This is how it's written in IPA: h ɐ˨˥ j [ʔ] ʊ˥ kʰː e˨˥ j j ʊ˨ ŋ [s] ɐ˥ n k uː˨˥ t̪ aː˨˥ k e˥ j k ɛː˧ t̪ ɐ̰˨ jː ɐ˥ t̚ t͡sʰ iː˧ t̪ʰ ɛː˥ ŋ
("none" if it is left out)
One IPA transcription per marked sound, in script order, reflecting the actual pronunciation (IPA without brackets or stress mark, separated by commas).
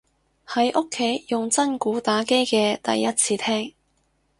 ʔ, t͡s